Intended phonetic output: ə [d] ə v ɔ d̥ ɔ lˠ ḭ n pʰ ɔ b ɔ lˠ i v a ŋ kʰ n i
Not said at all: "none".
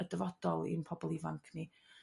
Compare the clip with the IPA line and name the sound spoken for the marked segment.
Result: d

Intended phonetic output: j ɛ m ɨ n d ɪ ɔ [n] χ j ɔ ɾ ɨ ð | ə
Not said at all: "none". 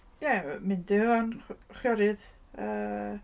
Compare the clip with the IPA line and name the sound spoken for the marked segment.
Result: n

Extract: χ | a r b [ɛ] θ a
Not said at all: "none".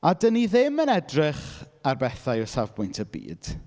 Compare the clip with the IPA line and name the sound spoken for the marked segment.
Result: ɛ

